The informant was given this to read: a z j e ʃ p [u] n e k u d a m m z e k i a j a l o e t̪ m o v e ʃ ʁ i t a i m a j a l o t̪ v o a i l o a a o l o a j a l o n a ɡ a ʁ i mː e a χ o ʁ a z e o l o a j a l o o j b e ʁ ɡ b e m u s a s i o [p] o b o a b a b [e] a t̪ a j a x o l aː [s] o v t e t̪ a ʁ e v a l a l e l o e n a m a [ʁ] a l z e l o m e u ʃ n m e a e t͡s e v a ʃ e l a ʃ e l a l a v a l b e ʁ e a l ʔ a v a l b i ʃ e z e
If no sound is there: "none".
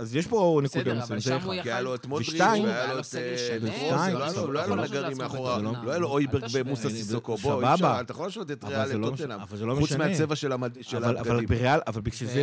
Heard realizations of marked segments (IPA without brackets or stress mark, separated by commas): o, k, a, ʃ, v